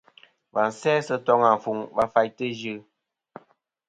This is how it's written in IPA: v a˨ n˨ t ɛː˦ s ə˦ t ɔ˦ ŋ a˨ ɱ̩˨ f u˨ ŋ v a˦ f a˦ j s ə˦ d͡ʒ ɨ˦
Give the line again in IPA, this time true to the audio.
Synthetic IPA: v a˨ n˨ s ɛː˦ s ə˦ t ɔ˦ ŋ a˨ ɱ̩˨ f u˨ ŋ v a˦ f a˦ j t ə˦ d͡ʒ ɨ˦